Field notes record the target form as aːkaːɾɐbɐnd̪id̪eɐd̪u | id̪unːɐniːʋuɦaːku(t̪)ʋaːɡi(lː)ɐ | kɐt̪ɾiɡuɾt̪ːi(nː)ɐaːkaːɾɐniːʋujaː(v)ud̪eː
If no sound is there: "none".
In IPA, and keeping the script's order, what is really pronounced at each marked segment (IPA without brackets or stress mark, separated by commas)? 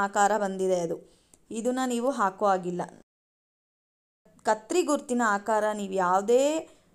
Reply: none, lː, n, ʋ